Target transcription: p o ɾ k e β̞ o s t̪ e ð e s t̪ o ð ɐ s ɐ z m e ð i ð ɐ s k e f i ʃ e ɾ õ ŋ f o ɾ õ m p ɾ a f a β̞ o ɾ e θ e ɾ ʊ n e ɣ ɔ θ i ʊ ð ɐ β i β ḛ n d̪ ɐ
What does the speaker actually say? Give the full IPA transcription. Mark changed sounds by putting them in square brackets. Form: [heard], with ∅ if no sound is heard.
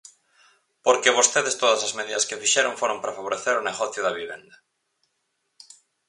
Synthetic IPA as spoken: p o ɾ k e β̞ o s t̪ e ð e s t̪ o ð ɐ s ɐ z m e ð i ð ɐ s k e f i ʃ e ɾ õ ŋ f o ɾ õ m p ɾ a f a β̞ o ɾ e θ e ɾ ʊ n e ɣ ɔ θ [j] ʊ ð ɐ β i β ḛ n d̪ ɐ